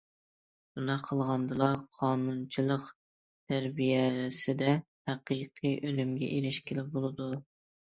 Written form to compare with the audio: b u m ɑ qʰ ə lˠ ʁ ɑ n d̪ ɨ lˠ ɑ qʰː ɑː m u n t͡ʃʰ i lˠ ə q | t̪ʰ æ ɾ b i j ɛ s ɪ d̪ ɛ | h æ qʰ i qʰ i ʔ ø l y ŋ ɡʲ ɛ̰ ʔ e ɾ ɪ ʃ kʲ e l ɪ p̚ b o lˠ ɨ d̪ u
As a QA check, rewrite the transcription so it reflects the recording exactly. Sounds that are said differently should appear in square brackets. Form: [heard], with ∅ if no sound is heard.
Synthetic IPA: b u [n] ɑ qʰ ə lˠ ʁ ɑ n d̪ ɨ lˠ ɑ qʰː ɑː [n] u n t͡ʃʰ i lˠ ə q | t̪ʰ æ ɾ b i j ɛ s ɪ d̪ ɛ | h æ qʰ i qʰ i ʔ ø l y [m] ɡʲ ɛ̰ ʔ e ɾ ɪ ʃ kʲ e l ɪ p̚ b o lˠ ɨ d̪ u